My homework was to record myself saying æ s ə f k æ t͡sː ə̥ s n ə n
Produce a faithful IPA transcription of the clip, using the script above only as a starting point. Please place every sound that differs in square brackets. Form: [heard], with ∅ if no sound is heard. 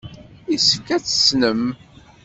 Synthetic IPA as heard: [i] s ə f k æ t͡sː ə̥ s n ə [m]

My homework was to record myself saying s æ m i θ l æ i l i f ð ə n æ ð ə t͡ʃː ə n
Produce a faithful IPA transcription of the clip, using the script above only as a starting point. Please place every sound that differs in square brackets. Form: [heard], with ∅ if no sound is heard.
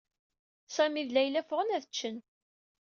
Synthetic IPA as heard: s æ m i [ð] l æ [j] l [æ] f [ʁ] ə n æ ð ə t͡ʃː ə n

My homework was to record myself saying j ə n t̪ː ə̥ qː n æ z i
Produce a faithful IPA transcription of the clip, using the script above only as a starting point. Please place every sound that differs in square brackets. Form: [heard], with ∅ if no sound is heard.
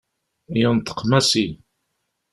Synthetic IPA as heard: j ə n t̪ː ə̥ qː [m] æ [s] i

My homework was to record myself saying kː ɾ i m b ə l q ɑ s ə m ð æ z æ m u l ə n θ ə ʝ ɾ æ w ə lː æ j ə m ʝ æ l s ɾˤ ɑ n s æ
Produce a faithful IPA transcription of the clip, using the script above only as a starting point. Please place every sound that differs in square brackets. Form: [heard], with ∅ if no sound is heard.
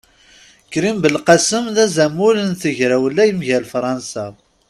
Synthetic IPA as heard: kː ɾ i m b ə l q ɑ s ə m ð æ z æ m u l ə n θ ə ʝ ɾ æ w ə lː æ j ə m ʝ æ l [f] ɾˤ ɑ n s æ

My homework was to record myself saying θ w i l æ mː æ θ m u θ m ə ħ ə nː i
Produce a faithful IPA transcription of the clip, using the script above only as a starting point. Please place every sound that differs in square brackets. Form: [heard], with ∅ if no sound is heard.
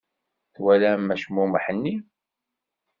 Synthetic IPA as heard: θ w [æ] l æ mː æ [ʃ] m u [∅] m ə ħ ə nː i

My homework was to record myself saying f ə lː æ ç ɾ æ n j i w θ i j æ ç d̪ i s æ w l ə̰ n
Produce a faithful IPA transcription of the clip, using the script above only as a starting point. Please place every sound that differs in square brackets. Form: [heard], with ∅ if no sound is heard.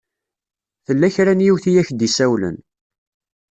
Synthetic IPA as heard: [θ] ə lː æ ç ɾ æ n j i w θ i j æ ç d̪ i s æ w l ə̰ n

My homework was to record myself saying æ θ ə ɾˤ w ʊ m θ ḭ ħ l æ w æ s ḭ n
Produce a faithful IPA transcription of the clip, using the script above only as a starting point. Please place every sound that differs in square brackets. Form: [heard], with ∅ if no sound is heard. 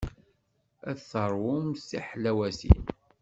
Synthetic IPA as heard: æ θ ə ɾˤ w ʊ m [s] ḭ ħ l æ w æ s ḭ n

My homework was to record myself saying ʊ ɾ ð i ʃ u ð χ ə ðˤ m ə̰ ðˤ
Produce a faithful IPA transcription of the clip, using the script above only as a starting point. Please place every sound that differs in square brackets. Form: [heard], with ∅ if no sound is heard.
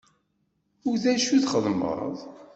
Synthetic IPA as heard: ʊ ɾ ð [æ] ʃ u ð χ ə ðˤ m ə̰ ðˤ

